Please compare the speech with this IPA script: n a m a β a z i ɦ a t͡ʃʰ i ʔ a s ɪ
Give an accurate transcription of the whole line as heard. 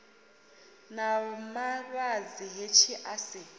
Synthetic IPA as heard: n a m a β a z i ɦ e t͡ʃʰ i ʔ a s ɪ